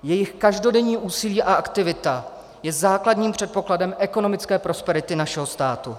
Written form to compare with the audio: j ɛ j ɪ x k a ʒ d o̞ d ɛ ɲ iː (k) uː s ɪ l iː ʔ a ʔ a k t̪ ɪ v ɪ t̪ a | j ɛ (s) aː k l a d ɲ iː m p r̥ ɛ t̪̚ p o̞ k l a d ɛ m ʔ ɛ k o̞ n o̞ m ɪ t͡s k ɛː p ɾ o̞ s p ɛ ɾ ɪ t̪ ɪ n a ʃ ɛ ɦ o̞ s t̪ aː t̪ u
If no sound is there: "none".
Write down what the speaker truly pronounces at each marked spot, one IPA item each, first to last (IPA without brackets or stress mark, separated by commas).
ʔ, z